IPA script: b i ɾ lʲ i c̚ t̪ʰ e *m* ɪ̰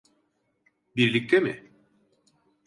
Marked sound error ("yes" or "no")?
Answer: no